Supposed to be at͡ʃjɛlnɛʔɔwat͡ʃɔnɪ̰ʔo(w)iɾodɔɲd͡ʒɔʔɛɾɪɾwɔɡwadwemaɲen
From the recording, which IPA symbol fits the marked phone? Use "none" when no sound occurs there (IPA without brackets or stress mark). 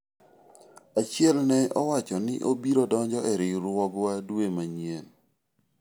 b